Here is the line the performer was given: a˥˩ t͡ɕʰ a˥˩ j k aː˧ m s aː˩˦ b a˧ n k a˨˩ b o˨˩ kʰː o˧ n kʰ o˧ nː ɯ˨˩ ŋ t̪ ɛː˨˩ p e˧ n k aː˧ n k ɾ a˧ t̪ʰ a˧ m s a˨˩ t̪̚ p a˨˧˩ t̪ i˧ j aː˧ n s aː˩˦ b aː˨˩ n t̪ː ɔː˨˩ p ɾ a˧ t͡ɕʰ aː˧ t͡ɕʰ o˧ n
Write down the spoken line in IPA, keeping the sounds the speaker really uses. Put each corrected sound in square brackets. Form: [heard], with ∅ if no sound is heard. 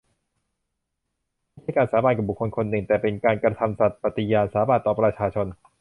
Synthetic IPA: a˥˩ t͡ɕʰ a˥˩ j k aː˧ [n] s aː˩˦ b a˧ n k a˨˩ b [u˨˩] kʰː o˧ n kʰ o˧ nː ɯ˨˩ ŋ t̪ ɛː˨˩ p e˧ n k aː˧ n k ɾ a˧ t̪ʰ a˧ m s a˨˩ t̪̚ p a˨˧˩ t̪ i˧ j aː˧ n s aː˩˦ b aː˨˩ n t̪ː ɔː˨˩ p ɾ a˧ t͡ɕʰ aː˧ t͡ɕʰ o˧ n